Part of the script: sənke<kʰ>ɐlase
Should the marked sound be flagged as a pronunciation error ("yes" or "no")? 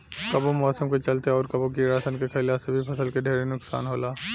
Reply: no